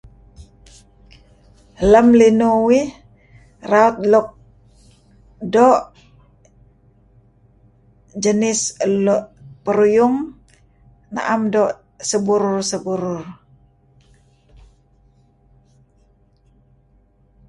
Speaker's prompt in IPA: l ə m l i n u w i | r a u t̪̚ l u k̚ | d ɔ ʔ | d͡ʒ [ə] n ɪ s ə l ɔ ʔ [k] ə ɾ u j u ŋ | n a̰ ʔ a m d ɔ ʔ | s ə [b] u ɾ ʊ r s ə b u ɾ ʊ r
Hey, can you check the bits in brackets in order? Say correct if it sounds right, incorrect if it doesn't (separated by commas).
correct, incorrect, correct